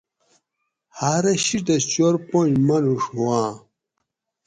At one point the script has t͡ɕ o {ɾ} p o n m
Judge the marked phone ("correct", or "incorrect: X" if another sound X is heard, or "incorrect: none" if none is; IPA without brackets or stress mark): correct